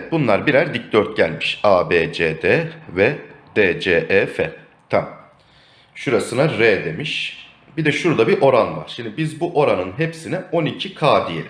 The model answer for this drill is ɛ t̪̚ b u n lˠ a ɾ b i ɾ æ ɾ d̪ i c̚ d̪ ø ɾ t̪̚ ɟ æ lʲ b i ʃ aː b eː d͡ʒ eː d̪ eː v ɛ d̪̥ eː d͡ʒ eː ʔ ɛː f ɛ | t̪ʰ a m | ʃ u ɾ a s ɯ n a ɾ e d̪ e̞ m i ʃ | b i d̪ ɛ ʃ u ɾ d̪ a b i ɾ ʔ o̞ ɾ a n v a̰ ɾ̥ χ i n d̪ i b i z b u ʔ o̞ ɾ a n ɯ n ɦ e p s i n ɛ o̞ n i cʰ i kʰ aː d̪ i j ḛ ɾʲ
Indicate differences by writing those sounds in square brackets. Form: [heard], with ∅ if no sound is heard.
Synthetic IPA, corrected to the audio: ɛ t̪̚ b u n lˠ a ɾ b i ɾ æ ɾ d̪ i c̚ d̪ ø ɾ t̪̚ ɟ æ lʲ [m] i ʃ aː b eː d͡ʒ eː d̪ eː v ɛ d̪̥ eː d͡ʒ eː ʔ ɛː f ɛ | t̪ʰ a m | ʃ u ɾ a s ɯ n a ɾ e d̪ e̞ m i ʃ | b i d̪ ɛ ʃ u ɾ d̪ a b i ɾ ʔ o̞ ɾ a n v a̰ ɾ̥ [ʃ] i n d̪ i b i z b u ʔ o̞ ɾ a n ɯ n ɦ e p s i n ɛ o̞ n i cʰ i kʰ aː d̪ i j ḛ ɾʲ